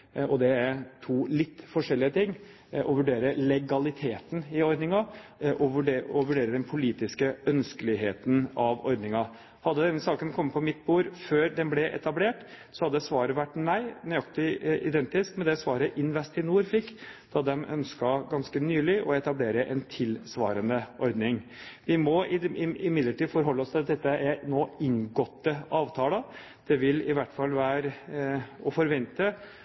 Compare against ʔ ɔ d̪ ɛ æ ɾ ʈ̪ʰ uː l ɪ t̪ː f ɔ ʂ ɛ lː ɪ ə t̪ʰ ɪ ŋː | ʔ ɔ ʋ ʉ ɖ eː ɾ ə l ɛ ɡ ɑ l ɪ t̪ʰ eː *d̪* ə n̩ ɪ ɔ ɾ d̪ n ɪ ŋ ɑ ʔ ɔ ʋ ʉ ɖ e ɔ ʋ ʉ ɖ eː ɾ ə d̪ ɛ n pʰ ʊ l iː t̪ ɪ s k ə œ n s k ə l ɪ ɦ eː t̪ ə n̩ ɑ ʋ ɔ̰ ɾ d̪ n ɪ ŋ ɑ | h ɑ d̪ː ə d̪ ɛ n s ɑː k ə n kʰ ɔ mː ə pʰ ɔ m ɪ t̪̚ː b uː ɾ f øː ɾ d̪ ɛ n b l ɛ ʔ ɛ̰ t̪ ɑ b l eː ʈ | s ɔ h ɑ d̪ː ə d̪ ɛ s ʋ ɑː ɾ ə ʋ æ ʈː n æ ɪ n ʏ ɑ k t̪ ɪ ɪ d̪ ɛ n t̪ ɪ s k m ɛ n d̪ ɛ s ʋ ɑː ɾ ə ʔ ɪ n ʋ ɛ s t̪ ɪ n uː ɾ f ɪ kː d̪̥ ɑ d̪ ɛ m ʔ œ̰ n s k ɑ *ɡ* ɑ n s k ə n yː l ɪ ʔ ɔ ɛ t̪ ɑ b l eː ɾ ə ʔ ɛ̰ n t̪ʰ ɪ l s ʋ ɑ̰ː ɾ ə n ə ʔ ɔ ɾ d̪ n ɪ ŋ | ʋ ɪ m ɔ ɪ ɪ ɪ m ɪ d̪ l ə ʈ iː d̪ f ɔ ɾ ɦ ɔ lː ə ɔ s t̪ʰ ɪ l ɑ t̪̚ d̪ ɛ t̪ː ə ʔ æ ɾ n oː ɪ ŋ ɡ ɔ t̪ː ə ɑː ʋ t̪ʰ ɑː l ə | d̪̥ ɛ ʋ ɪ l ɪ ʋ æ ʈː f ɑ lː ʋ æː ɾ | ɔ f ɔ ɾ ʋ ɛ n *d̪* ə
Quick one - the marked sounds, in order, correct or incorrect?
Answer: incorrect, correct, incorrect

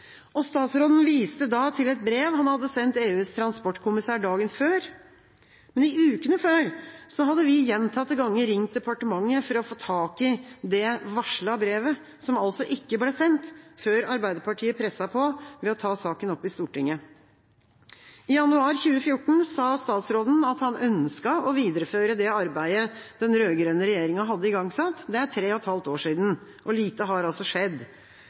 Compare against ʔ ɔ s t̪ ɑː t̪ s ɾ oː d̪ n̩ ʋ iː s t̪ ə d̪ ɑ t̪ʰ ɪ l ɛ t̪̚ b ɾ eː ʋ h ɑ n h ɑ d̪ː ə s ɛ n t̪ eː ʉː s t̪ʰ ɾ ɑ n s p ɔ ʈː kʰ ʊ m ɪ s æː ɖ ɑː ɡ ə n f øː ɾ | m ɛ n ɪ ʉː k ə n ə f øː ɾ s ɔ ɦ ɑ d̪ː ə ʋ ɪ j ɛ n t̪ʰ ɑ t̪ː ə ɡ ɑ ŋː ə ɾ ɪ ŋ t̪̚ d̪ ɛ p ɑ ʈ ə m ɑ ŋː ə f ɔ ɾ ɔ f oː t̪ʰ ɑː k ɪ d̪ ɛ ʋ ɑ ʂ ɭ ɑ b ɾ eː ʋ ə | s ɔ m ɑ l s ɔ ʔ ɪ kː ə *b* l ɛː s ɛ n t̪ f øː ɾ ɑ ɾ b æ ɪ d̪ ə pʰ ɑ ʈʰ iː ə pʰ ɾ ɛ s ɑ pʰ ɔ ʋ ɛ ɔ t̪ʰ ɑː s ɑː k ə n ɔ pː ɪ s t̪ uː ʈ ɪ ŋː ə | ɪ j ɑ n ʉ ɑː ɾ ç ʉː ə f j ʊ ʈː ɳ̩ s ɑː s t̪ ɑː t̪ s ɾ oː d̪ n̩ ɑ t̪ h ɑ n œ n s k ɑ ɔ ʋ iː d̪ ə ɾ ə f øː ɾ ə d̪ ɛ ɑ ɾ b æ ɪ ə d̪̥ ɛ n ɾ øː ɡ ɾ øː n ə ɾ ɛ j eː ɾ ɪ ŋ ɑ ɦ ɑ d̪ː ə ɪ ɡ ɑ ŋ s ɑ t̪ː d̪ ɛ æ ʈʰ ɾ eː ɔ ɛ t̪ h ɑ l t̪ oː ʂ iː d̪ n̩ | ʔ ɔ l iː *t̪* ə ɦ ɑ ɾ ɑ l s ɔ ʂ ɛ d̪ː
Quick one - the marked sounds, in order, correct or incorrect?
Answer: correct, correct

